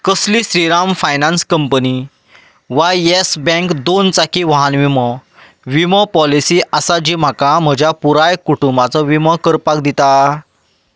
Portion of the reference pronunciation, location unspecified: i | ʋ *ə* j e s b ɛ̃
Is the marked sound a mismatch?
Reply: yes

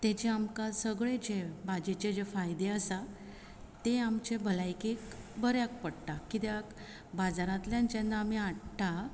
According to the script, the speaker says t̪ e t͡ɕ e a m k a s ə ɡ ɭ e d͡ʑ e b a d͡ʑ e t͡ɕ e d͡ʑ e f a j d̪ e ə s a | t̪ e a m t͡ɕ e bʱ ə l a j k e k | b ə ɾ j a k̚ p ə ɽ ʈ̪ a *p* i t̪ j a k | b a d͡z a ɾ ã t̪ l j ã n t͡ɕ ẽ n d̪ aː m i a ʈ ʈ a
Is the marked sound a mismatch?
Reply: yes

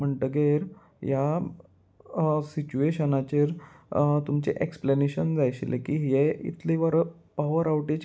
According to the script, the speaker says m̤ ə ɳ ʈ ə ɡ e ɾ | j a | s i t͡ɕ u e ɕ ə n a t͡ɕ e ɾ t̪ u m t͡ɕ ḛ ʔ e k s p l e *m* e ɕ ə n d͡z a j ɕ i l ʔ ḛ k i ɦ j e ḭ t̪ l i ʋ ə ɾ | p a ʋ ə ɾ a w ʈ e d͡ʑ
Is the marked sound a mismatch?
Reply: yes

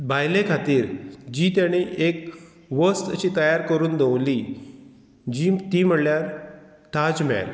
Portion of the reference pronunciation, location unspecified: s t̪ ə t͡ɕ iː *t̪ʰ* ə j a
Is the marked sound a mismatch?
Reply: yes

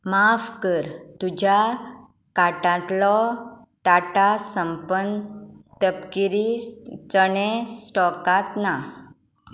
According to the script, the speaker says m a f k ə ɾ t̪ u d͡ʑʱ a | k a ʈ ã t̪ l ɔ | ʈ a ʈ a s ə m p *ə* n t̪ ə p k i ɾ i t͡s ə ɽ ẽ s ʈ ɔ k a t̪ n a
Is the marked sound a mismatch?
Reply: no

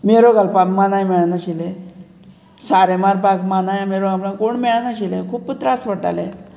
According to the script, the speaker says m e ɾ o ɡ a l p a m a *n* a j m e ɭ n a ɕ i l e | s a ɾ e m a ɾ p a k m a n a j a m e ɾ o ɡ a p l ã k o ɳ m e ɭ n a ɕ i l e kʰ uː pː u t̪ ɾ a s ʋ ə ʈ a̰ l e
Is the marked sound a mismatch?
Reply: no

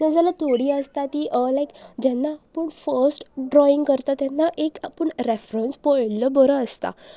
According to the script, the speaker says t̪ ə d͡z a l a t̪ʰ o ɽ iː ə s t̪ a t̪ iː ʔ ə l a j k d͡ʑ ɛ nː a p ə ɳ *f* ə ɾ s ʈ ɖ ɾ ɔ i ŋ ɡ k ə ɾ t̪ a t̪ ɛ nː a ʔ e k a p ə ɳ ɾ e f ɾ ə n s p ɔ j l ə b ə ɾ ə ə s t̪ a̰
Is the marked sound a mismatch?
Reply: no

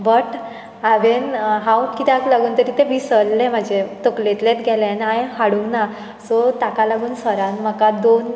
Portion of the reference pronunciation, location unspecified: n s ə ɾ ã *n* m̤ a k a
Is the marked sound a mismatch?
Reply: no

